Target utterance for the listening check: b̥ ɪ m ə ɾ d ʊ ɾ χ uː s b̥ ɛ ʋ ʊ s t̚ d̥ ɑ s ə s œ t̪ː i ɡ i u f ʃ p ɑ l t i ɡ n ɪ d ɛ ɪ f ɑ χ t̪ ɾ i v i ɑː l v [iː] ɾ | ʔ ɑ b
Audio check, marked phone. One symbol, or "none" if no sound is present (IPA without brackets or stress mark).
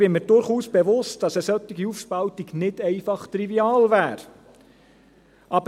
æː